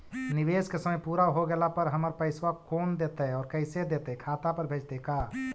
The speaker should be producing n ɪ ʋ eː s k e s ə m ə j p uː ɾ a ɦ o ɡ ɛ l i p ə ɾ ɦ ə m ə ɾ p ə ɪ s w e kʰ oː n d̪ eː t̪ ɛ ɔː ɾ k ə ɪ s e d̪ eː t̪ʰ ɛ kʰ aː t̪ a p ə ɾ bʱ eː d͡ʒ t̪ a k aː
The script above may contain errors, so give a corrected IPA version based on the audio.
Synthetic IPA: n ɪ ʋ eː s k e s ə m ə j p uː ɾ a ɦ o ɡ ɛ l a p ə ɾ ɦ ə m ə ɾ p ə ɪ s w a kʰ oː n d̪ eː t̪ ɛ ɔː ɾ k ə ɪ s e d̪ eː t̪ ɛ kʰ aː t̪ a p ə ɾ bʱ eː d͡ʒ t̪ e k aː

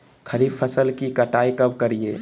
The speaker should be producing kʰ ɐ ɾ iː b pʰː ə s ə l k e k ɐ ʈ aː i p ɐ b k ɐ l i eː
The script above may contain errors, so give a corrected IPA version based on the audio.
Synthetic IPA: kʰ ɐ ɾ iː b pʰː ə s ə l k i k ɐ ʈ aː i k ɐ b k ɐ ɾ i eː

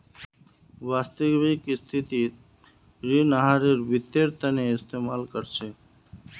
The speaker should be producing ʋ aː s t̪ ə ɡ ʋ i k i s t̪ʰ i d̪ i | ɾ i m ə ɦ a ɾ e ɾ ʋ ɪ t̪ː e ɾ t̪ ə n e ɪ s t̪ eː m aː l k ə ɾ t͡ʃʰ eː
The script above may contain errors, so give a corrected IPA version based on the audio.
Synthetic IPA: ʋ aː s t̪ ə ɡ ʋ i k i s t̪ʰ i t̪ i | ɾ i n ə ɦ a ɾ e ɾ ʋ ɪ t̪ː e ɾ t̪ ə n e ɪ s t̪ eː m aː l k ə ɾ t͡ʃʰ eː

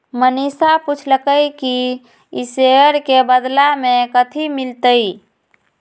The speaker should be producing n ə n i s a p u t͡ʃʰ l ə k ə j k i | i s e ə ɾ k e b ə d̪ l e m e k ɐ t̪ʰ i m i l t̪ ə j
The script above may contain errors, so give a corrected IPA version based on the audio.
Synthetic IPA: m ə n i s a p u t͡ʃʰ l ə k ə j k i | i s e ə ɾ k e b ə d̪ l a m e k ə t̪ʰ i m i l t̪ ə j

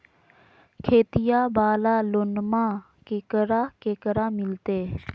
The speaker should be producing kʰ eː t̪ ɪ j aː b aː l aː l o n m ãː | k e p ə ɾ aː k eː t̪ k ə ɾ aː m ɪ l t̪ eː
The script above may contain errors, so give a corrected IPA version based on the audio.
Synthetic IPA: kʰ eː t̪ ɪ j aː b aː l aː l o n m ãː | k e k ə ɾ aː k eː k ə ɾ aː m ɪ l t̪ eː

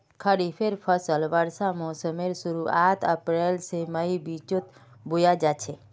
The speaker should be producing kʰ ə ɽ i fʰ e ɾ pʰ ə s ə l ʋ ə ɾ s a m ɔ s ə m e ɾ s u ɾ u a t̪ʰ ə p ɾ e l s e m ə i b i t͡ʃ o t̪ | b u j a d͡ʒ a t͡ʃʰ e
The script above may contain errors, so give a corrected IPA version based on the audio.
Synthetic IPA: kʰ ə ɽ i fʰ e ɾ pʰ ə s ə l ʋ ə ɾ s a m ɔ s ə m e ɾ s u ɾ u a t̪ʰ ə p ɾ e l s e m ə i b i t͡ʃ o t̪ | b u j a d͡ʒ a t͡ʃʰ e

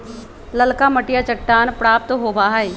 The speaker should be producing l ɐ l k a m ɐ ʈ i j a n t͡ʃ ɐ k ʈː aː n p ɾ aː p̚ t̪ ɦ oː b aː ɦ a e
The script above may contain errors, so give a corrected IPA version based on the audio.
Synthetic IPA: l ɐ l k a m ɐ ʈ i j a t͡ʃ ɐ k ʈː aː n p ɾ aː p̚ t̪ ɦ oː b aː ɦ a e

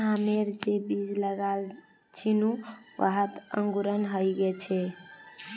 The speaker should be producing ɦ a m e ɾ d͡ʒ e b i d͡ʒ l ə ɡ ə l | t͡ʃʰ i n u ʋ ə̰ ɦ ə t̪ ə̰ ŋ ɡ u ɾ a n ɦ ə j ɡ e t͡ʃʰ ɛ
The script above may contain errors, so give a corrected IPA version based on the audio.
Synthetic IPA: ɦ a m e ɾ d͡ʒ e b i d͡ʒ l ə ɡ a l | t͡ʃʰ i n u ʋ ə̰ ɦ ə t̪ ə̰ ŋ ɡ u ɾ ə n ɦ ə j ɡ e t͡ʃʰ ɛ

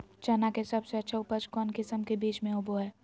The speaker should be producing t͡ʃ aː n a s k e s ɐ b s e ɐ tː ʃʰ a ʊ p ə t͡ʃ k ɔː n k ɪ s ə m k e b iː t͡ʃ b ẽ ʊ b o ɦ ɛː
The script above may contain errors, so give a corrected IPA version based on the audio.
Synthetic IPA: t͡ʃ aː n a k e s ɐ b s e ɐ tː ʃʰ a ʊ p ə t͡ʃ k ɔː n k ɪ s ə m k e b iː t͡ʃ m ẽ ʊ b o ɦ ɛː

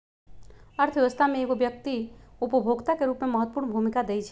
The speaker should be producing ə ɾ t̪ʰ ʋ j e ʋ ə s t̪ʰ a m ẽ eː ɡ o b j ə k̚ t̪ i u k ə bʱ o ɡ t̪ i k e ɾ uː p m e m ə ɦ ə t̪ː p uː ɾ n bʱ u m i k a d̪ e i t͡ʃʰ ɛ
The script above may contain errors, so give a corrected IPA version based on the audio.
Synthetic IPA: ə ɾ t̪ʰ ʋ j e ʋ ə s t̪ʰ a m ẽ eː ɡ o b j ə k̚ t̪ i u p ə bʱ o ɡ t̪ a k e ɾ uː p m e m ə ɦ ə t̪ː p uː ɾ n bʱ u m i k a d̪ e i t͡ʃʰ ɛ

